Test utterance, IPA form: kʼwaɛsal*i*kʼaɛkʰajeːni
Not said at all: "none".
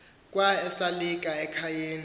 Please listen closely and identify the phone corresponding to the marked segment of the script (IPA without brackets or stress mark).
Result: i